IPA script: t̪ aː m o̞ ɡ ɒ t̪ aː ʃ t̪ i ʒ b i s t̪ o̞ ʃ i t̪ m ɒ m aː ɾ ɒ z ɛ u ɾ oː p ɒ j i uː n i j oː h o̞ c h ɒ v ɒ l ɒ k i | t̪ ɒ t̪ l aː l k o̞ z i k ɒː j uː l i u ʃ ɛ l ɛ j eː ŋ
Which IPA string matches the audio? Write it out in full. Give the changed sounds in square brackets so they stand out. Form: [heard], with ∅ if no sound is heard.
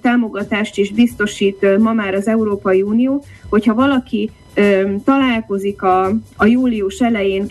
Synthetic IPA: t̪ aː m o̞ ɡ ɒ t̪ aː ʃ t̪ i ʒ b i s t̪ o̞ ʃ [iː] t̪ m ɒ m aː ɾ ɒ z ɛ u ɾ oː p ɒ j i uː n i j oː h o̞ c h ɒ v ɒ l ɒ k i | t̪ ɒ [∅] l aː l k o̞ z i k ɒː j uː l i u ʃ ɛ l ɛ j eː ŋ